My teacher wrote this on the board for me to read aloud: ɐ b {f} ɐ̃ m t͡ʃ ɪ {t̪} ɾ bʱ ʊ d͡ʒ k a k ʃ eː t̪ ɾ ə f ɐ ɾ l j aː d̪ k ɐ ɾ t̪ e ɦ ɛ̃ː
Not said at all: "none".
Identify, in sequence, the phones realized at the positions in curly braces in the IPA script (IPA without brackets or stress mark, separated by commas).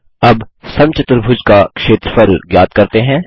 s, t̪